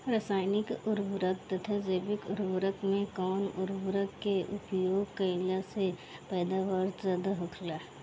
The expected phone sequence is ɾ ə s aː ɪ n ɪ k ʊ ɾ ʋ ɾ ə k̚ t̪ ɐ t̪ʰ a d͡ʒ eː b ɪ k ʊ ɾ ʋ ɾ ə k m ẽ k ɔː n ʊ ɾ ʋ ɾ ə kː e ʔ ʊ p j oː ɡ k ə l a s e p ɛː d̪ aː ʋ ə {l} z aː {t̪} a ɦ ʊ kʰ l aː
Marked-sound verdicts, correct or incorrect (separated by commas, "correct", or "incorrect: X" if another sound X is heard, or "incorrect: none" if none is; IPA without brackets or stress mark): incorrect: ɾ, incorrect: d̪